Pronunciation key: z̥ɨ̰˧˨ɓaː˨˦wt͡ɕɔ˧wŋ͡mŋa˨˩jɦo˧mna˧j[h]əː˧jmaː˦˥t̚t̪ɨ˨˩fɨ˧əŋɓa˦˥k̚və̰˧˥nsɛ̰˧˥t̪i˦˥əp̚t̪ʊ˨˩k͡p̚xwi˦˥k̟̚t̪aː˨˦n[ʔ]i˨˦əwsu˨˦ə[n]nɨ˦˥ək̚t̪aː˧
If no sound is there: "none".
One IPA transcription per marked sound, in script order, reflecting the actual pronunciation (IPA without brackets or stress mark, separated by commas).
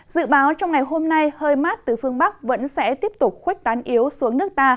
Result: h, ʔ, ŋ